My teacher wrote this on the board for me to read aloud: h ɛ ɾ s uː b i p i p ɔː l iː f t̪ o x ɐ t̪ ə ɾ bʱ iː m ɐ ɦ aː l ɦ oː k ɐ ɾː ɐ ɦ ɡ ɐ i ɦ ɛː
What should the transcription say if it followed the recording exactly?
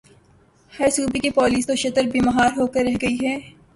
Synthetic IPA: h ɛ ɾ s uː b i k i p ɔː l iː s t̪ o ʃ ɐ t̪ ə ɾ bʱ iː m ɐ ɦ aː ɾ ɦ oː k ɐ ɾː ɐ ɦ ɡ ɐ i ɦ ɛː